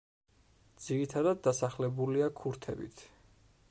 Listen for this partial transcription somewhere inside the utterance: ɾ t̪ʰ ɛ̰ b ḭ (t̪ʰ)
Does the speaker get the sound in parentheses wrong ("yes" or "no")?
no